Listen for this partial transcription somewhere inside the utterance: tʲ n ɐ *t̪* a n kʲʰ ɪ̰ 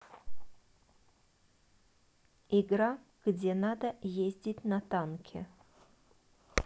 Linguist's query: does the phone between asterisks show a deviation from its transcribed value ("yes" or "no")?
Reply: no